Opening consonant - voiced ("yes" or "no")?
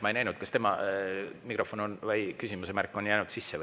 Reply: yes